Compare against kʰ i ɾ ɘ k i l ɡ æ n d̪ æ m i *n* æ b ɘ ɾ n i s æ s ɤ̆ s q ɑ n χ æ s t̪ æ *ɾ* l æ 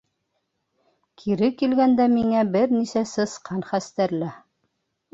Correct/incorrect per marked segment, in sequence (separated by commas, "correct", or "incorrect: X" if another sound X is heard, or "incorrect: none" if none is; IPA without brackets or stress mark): incorrect: ŋ, correct